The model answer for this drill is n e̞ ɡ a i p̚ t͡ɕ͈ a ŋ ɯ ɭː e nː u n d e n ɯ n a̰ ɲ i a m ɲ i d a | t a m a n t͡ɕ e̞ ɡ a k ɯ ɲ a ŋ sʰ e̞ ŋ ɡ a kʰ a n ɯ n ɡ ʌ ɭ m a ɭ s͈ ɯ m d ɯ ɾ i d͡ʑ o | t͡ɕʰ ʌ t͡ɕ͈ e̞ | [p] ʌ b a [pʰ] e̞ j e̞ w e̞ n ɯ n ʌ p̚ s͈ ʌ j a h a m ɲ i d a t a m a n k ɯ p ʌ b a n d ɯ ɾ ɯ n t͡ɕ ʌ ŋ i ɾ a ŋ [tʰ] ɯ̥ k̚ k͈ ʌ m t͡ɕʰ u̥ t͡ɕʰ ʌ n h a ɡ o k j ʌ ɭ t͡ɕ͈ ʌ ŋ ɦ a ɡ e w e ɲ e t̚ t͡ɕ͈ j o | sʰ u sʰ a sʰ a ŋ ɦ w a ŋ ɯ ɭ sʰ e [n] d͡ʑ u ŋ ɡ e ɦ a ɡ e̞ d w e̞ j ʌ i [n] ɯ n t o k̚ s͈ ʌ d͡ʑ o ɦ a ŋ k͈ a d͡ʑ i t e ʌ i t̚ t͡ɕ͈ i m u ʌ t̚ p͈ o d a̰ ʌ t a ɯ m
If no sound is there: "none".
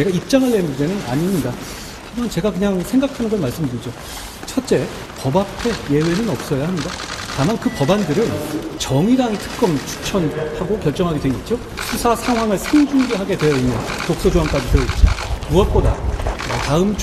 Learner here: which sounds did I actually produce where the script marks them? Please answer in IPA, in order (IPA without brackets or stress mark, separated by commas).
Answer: p, pʰ, tʰ, ŋ, nː